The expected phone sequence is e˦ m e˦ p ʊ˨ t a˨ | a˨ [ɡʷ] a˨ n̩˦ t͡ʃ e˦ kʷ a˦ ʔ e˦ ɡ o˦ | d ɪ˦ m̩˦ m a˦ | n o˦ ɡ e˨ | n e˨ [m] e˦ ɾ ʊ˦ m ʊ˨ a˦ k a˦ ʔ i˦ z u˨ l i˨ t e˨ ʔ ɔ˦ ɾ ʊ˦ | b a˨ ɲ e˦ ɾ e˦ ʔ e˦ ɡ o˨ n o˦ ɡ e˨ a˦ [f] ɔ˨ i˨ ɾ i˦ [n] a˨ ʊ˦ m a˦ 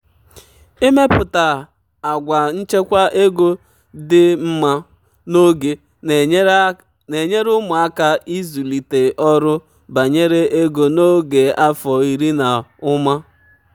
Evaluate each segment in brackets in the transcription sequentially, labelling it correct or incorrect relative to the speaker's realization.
correct, incorrect: ɲ, correct, correct

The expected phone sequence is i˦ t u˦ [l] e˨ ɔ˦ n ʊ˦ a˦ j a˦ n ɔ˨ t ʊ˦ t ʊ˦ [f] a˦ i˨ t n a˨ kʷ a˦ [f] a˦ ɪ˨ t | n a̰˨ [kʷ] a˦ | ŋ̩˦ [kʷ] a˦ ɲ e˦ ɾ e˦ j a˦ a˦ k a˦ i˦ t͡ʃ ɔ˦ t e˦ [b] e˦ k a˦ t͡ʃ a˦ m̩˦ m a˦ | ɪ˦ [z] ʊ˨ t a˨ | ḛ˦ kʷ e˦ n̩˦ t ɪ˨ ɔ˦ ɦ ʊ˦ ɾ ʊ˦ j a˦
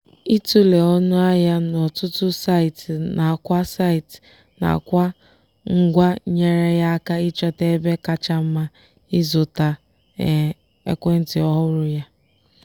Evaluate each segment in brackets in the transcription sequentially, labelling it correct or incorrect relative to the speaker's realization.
correct, incorrect: s, incorrect: s, correct, incorrect: ɡʷ, correct, correct

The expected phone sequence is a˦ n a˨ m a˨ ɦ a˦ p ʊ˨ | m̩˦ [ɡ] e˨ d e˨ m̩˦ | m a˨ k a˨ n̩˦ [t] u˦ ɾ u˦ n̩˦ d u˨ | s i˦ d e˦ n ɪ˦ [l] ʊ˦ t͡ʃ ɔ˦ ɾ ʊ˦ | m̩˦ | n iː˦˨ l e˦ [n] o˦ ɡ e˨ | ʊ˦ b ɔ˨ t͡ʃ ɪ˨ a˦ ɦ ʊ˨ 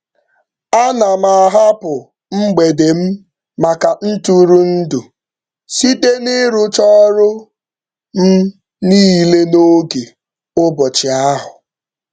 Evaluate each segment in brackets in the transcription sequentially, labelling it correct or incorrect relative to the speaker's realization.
incorrect: ɡ͡b, correct, incorrect: ɾ, correct

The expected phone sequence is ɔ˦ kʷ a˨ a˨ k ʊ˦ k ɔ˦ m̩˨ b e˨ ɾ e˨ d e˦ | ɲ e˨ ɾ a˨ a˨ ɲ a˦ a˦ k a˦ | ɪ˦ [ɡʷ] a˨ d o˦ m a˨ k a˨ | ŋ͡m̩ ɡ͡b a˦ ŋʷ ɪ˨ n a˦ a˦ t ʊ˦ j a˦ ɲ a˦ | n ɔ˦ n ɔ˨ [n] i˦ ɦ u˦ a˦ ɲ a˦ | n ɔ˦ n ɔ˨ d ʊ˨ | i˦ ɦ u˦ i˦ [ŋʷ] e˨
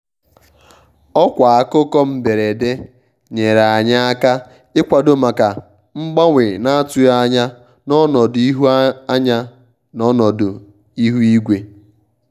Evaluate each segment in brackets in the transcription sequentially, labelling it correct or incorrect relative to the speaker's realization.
incorrect: kʷ, incorrect: d, incorrect: ɡʷ

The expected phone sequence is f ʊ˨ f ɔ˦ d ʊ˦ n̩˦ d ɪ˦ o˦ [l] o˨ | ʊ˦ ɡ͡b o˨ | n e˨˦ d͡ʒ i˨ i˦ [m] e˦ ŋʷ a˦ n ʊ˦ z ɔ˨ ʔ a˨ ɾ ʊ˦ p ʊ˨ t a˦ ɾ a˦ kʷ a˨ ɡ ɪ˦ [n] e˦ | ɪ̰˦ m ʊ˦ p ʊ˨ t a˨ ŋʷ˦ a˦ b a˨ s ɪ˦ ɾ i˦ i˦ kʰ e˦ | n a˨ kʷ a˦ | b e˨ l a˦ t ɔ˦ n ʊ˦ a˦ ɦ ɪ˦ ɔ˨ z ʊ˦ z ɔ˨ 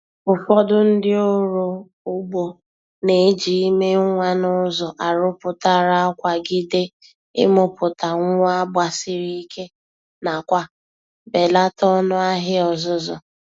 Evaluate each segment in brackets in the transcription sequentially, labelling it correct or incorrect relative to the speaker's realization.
incorrect: ɾ, correct, incorrect: d

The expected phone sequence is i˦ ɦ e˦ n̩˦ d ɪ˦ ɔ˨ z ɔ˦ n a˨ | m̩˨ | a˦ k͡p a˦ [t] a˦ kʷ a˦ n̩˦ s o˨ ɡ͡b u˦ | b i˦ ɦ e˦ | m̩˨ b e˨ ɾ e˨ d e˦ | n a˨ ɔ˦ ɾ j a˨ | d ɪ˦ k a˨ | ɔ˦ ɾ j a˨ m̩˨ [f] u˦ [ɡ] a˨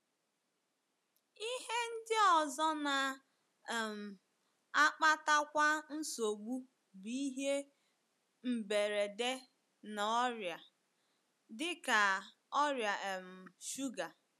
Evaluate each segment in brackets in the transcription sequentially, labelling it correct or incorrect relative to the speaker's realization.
correct, incorrect: ʃ, correct

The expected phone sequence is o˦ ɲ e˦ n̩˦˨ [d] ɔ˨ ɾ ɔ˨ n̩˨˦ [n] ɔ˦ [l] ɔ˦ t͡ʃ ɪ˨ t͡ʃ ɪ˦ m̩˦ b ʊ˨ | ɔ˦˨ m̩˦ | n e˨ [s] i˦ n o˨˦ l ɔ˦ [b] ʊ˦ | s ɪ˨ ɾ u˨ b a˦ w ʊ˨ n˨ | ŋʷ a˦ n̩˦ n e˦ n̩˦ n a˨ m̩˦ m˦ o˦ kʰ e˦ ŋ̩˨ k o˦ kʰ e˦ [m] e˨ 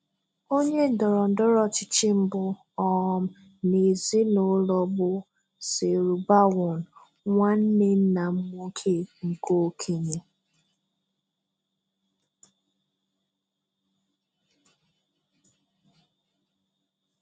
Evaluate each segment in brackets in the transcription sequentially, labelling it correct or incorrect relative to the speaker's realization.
correct, incorrect: d, incorrect: ɾ, incorrect: z, correct, incorrect: ɲ

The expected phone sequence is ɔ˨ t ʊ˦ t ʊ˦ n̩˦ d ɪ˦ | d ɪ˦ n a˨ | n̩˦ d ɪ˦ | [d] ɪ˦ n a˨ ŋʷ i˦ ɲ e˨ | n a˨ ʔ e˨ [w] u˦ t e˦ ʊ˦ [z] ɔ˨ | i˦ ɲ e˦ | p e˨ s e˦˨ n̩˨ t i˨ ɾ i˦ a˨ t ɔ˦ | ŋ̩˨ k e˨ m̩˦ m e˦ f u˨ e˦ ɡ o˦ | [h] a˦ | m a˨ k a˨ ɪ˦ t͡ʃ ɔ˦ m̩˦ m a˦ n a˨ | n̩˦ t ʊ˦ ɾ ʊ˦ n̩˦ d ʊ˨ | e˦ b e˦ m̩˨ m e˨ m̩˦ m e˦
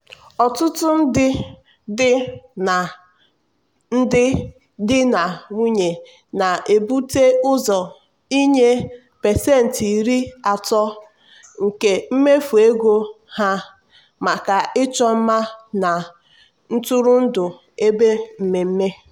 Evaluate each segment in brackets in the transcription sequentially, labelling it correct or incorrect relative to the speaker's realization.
correct, incorrect: b, correct, correct

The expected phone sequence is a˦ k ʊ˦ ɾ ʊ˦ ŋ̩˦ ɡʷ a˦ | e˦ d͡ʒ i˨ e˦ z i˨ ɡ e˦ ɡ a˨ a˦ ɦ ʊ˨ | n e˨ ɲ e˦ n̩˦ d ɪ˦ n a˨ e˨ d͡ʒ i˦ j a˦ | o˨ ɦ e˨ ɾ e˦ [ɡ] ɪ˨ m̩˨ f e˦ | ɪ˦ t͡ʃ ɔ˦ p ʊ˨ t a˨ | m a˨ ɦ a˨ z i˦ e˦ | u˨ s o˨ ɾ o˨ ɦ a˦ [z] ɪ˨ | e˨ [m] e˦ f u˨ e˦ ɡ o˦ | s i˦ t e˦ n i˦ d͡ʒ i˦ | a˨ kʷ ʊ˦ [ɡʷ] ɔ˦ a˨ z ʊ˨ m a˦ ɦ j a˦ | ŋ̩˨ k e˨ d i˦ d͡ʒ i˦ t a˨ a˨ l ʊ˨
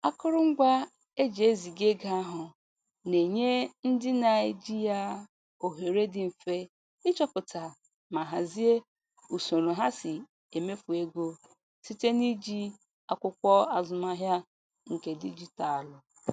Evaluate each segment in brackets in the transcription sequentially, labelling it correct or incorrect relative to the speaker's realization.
incorrect: d, incorrect: s, correct, incorrect: kʷ

